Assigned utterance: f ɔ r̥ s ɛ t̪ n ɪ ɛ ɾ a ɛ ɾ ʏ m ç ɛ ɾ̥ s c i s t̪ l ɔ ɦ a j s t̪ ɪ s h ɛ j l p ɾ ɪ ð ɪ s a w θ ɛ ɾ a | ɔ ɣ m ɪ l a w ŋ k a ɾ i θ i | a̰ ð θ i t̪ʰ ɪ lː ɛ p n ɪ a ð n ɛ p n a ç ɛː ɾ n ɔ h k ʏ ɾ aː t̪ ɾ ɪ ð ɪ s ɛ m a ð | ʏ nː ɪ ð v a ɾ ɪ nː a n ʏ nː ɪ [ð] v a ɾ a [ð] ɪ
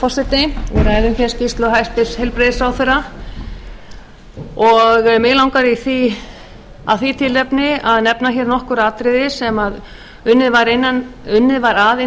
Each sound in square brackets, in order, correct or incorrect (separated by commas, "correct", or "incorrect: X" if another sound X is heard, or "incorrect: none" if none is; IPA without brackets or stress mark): correct, correct